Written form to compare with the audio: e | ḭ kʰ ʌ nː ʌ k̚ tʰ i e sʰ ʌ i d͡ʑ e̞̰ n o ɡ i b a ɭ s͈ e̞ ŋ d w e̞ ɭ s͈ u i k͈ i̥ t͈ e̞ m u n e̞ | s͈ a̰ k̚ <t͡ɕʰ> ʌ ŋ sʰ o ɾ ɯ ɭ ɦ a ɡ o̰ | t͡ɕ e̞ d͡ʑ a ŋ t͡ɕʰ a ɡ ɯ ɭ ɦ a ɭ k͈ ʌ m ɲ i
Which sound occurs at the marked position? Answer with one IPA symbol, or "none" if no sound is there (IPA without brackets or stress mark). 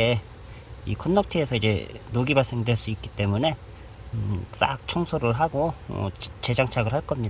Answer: t͡ɕʰ